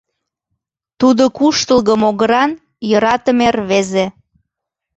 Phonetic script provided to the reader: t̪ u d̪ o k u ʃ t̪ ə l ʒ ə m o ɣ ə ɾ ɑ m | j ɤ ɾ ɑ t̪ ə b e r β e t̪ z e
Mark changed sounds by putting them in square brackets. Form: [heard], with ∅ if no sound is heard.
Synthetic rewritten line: t̪ u d̪ o k u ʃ t̪ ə l [ɣ] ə m o ɣ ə ɾ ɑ [n] | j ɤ ɾ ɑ t̪ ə [m] e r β e [∅] z e

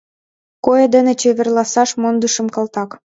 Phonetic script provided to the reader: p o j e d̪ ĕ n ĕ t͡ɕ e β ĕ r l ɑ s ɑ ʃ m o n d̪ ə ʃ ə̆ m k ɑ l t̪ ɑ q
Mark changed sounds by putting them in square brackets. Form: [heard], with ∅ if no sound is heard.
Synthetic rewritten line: [k] o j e d̪ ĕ n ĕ t͡ɕ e β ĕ r l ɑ s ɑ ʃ m o n d̪ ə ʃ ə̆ m k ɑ l t̪ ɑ [k]

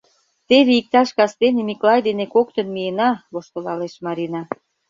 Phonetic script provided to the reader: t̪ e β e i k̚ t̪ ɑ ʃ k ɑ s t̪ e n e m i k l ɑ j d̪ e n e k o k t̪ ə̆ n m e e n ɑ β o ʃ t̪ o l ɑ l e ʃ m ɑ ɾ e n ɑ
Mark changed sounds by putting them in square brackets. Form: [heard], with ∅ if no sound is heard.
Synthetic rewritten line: t̪ e β e i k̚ t̪ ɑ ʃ k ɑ s t̪ e n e m i k l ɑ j d̪ e n e k o k t̪ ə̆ n m [i] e n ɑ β o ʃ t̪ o l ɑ l e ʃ m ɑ ɾ [i] n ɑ

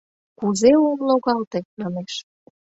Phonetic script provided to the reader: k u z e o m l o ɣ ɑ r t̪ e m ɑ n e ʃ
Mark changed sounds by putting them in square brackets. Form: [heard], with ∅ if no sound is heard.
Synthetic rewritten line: k u z e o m l o ɣ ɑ [l] t̪ e m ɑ n e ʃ

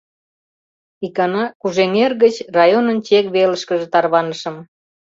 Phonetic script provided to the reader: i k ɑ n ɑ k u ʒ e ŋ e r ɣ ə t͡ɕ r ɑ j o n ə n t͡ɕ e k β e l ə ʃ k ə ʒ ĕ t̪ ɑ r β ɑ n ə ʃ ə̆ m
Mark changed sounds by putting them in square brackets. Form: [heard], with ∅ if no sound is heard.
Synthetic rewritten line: i k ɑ n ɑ k u ʒ e ŋ e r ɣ ə t͡ɕ r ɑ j o n ə n t͡ɕ e k β e l ə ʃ k ə ʒ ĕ t̪ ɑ r β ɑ n ə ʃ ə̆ m

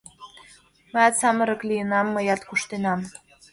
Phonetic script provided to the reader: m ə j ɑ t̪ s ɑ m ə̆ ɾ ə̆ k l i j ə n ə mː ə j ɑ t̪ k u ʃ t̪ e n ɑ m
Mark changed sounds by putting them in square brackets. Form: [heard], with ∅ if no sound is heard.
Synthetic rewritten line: m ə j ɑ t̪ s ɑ m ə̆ ɾ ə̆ k l i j ə n [ɑ] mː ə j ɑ t̪ k u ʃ t̪ e n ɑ m

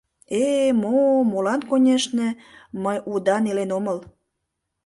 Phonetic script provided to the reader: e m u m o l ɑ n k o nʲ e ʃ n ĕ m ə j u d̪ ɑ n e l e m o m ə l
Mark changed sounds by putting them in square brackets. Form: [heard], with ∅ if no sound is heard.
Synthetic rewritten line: e m [o] m o l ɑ n k o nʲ e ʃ n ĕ m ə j u d̪ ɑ n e l e [n] o m ə l

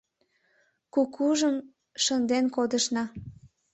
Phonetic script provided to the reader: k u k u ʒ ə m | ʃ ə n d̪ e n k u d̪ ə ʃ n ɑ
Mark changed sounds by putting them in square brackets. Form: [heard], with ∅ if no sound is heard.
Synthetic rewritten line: k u k u ʒ ə m | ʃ ə n d̪ e n k [o] d̪ ə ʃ n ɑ

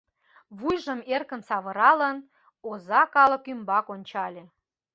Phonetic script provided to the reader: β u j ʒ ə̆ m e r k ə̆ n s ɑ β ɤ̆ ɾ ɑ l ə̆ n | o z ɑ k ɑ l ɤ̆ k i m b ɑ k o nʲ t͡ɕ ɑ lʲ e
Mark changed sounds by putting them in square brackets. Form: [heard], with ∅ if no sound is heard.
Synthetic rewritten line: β u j ʒ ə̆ m e r k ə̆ n s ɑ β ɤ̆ ɾ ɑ l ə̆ n | o z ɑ k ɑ l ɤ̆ k [y] m b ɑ k o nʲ t͡ɕ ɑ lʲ e

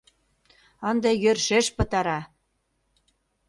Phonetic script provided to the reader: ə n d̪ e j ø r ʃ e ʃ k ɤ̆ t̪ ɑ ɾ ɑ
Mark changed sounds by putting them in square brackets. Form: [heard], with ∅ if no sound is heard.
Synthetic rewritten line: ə n d̪ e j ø r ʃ e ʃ [p] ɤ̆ t̪ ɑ ɾ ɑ

